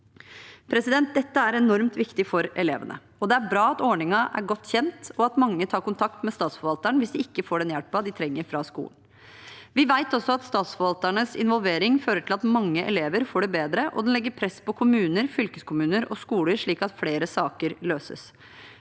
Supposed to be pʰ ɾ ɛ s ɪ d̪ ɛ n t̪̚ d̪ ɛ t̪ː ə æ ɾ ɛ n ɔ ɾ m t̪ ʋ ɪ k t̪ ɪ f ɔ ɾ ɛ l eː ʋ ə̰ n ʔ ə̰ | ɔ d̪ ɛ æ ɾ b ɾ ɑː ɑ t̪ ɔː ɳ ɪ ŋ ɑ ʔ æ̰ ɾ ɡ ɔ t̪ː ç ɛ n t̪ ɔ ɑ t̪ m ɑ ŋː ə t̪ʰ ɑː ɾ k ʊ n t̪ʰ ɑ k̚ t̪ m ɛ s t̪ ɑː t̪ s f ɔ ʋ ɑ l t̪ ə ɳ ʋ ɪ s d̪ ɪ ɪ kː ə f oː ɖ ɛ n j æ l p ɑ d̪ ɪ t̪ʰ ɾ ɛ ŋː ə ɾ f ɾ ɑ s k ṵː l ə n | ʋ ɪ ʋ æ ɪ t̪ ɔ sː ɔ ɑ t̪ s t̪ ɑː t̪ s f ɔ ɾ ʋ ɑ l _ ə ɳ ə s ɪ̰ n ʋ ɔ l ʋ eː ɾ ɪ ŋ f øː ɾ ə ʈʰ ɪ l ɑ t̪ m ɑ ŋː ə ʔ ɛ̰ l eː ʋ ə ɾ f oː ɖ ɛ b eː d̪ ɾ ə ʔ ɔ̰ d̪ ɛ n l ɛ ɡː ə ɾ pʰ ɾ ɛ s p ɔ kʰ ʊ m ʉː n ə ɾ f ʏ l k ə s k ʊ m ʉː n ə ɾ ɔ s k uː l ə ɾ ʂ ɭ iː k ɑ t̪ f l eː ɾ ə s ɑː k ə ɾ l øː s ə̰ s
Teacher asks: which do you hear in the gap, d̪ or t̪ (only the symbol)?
t̪